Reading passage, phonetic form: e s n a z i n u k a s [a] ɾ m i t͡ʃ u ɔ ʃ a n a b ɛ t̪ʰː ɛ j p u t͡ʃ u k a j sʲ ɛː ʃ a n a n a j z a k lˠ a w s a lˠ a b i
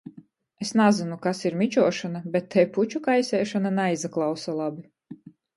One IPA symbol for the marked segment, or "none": i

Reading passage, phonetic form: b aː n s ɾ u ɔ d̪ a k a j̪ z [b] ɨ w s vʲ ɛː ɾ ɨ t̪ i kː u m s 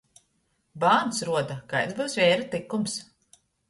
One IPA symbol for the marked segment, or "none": b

